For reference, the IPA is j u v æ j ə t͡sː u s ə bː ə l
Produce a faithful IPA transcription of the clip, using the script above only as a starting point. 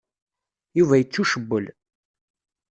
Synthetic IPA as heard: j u v æ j ə t͡sː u ʃ ə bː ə l